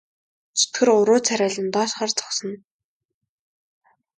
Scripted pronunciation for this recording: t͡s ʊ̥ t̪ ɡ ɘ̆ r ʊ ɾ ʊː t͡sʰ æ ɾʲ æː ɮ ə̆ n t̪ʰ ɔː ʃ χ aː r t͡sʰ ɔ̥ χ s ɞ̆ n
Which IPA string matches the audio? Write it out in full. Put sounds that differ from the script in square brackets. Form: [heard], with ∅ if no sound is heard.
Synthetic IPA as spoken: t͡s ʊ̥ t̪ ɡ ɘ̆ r ʊ ɾ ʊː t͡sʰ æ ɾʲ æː ɮ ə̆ n [t̪] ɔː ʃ χ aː r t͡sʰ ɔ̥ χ s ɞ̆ n